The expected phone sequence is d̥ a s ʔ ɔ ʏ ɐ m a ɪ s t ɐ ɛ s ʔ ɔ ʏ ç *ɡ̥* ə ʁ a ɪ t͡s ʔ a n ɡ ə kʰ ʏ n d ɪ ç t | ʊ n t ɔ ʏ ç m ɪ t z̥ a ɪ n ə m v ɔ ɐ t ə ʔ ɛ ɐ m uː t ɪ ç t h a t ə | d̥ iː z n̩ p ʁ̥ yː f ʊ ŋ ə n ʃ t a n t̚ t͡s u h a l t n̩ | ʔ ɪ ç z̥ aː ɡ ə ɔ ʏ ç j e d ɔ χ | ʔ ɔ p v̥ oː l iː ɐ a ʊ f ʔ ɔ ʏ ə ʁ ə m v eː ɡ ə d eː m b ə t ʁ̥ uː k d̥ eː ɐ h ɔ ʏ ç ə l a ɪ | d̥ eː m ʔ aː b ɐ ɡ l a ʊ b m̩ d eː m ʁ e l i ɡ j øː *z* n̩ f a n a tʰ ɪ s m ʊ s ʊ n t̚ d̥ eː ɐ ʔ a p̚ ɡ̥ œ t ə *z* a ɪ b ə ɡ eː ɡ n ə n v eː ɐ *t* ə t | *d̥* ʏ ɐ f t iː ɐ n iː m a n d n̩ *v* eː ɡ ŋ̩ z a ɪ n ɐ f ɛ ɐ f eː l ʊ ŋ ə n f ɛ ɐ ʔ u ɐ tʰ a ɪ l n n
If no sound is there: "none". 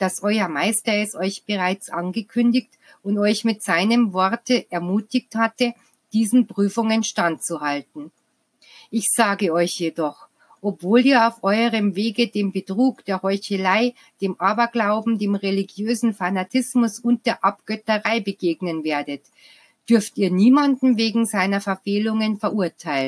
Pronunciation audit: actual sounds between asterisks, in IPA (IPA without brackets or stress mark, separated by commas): b̥, z, ʁ, d, d̥, v